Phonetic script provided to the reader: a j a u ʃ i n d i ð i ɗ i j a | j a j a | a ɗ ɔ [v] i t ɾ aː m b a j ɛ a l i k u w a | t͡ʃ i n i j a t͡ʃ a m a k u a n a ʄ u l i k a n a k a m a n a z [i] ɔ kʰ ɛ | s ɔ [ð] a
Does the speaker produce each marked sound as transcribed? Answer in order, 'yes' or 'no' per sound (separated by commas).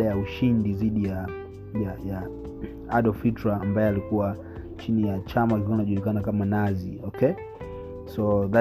no, yes, yes